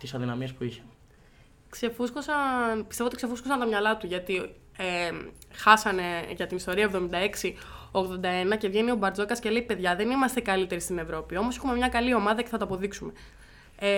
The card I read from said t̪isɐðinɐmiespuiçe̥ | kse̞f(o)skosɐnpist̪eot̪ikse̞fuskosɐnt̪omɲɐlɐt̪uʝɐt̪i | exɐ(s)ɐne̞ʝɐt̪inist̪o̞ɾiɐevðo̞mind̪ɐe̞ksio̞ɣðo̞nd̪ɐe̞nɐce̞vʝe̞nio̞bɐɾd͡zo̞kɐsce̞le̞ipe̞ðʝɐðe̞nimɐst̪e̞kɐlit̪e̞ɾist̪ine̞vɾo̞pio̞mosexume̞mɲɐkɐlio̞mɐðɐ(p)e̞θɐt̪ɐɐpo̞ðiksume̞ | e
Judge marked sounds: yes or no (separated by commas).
no, yes, no